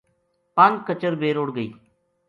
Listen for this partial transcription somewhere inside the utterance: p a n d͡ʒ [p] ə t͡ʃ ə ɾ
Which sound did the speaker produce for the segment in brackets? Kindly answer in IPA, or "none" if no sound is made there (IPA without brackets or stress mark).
k